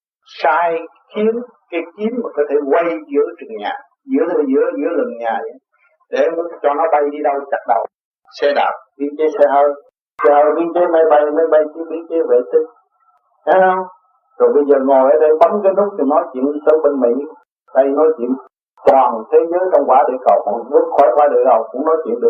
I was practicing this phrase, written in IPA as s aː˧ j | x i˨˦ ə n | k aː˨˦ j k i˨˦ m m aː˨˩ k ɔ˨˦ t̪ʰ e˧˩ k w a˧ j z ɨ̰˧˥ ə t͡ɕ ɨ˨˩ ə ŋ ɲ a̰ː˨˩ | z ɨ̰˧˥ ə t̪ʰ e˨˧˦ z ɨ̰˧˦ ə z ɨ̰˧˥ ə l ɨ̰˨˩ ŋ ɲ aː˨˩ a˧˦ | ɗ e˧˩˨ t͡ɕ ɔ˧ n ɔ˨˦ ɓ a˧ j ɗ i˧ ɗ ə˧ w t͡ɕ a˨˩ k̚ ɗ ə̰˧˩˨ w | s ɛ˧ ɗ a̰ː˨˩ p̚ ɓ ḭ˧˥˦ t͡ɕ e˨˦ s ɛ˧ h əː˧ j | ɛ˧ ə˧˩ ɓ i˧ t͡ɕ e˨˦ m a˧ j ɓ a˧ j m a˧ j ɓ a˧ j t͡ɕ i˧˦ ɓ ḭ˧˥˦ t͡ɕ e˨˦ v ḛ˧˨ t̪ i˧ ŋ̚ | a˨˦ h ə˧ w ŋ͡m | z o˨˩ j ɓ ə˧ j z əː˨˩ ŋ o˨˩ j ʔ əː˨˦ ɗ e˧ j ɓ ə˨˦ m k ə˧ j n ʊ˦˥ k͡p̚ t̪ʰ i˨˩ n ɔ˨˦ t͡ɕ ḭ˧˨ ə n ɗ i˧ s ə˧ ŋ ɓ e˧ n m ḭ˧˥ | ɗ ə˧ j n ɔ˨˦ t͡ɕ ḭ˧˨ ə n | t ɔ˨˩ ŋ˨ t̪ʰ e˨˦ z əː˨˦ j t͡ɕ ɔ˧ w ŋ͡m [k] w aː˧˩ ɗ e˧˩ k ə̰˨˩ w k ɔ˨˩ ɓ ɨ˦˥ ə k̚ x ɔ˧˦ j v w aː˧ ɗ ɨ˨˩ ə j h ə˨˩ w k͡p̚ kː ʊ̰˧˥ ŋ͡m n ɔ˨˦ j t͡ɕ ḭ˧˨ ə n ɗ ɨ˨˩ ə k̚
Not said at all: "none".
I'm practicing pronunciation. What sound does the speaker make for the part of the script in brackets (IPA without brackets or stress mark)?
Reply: k